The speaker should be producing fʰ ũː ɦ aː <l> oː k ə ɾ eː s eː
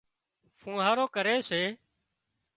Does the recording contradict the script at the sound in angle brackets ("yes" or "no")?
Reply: yes